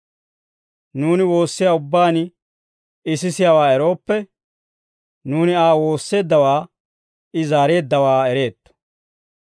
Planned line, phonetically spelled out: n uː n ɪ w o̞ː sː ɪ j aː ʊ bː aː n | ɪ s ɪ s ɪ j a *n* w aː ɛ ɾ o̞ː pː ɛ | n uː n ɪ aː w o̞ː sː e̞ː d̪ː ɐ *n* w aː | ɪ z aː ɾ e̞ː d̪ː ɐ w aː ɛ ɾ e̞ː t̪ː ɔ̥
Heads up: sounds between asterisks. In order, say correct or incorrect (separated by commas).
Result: incorrect, incorrect